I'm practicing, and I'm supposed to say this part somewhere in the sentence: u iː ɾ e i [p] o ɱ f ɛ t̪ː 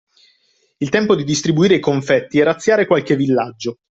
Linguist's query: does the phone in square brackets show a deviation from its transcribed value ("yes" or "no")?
yes